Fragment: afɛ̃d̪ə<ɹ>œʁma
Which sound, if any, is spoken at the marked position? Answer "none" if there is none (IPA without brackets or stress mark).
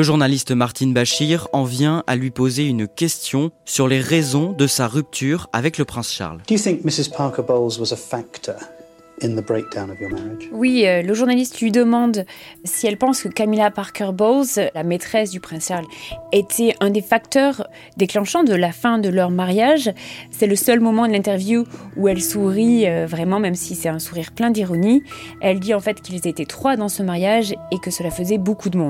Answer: l